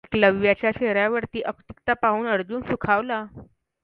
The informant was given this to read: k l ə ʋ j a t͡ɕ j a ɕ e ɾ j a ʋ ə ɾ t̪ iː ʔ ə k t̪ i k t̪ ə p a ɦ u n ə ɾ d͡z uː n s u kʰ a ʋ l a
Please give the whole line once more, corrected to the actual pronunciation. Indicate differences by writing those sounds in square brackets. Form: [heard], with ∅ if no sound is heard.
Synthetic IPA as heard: k l ə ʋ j a t͡ɕ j a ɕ e ɾ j a ʋ ə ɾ t̪ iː ʔ ə k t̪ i k t̪ [a] p a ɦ [uː] n ə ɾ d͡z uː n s u kʰ a ʋ l a